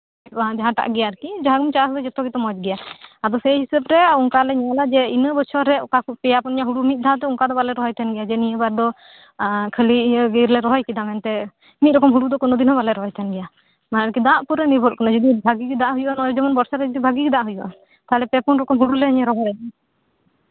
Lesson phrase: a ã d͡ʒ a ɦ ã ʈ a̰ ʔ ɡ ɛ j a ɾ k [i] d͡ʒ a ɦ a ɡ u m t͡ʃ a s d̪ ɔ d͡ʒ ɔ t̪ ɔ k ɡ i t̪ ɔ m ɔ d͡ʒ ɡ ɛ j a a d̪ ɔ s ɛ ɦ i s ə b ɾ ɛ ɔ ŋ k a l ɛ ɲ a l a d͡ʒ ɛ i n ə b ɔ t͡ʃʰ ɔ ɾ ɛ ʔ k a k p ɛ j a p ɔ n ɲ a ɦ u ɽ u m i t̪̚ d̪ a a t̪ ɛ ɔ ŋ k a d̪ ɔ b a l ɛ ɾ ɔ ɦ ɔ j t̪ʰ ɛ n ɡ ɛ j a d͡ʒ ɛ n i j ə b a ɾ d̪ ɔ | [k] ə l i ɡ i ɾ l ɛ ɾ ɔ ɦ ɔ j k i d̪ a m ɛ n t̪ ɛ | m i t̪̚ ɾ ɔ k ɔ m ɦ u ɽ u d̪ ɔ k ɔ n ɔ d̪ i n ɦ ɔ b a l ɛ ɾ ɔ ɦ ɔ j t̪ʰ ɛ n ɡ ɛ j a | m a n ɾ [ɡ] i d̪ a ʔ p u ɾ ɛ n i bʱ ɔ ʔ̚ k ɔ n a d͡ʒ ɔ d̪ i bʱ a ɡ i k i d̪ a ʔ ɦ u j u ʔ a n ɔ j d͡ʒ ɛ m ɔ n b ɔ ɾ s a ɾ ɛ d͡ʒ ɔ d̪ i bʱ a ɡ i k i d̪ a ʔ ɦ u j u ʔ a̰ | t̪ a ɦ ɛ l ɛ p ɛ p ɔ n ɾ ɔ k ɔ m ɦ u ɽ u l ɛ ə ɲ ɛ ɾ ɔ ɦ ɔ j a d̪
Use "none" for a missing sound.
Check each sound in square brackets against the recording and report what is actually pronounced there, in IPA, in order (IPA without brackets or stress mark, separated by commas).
i, kʰ, k